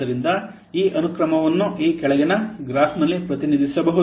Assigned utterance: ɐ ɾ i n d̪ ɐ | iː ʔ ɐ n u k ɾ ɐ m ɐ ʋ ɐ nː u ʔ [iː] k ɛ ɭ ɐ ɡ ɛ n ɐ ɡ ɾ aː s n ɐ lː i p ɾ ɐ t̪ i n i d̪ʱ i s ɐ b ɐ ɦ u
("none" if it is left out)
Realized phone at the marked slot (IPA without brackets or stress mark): iː